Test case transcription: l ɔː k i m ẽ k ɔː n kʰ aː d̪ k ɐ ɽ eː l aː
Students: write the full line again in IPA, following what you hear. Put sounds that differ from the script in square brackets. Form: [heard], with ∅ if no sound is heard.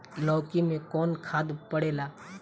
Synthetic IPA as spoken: l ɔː k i m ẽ k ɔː n kʰ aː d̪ [p] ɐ ɽ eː l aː